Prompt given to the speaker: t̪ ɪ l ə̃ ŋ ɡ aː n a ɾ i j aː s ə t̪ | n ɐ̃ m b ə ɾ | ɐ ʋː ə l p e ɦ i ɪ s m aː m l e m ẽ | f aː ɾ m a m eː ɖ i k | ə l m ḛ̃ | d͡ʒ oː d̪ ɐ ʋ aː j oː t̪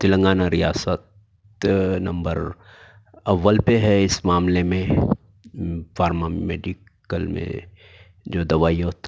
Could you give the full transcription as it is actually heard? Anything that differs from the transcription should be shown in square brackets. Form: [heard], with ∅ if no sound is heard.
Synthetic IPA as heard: t̪ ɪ l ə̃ ŋ ɡ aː n a ɾ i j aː s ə t̪ | n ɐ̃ m b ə ɾ | ɐ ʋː ə l p e ɦ [ɛ] ɪ s m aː m l e m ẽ | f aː ɾ m a m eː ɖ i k | ə l m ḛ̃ | d͡ʒ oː d̪ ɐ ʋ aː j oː t̪

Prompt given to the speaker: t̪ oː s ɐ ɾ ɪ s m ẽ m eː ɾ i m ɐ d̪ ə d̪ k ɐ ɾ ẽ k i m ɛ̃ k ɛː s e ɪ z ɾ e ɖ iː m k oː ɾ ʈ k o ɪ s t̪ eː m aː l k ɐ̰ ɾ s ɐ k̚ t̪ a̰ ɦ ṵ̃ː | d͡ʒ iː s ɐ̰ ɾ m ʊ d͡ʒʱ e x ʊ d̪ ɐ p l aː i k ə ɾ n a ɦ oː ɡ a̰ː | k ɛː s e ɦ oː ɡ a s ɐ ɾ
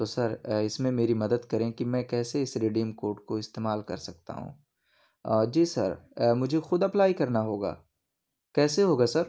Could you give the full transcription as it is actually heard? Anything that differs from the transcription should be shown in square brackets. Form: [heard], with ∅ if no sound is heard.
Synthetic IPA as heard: t̪ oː s ɐ ɾ ɪ s m ẽ m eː ɾ i m ɐ d̪ ə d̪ k ɐ ɾ ẽ k i m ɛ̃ k ɛː s e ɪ [s] ɾ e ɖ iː m k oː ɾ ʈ k o ɪ s t̪ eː m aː l k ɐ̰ ɾ s ɐ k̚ t̪ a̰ ɦ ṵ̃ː | d͡ʒ iː s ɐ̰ ɾ m ʊ d͡ʒʱ e x ʊ d̪ ɐ p l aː i k [ɐ] ɾ n a ɦ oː ɡ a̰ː | k ɛː s e ɦ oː ɡ a s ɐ ɾ

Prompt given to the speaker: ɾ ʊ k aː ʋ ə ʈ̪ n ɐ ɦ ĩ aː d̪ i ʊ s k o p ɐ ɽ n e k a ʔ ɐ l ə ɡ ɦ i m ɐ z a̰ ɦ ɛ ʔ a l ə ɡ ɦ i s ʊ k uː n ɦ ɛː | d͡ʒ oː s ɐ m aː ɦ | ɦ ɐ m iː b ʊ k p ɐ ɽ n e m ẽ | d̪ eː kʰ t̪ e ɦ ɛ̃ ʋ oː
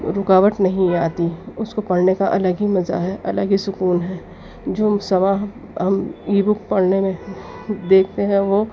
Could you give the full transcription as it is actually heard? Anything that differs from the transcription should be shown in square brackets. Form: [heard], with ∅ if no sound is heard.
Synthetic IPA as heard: ɾ ʊ k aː ʋ ə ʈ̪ n ɐ ɦ ĩ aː [t̪] i ʊ s k o p ɐ ɽ n e k a ʔ ɐ l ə ɡ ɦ i m ɐ z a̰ ɦ ɛ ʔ [ɐ] l ə ɡ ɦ i s ʊ k uː n ɦ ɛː | d͡ʒ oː s ɐ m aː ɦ | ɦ ɐ m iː b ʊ k p ɐ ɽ n e m ẽ | d̪ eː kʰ t̪ e ɦ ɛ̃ ʋ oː

